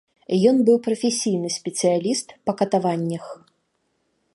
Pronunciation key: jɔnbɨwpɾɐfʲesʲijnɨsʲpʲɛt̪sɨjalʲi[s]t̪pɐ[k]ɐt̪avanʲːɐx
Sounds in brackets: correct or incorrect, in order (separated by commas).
correct, correct